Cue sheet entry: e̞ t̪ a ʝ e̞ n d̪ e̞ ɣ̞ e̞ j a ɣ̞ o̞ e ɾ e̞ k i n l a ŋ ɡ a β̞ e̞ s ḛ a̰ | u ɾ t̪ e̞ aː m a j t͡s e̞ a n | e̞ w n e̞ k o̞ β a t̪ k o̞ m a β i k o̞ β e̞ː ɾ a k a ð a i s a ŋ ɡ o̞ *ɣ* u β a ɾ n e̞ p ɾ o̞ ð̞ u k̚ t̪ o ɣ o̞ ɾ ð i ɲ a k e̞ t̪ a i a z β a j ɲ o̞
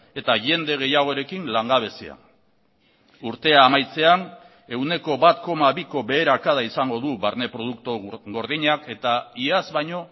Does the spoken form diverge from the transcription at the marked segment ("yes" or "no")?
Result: yes